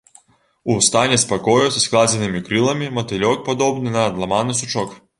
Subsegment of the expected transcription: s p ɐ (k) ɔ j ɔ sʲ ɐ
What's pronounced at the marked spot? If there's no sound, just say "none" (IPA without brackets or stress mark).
k